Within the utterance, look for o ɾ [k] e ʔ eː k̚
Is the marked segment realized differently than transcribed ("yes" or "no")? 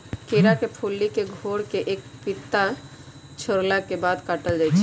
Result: no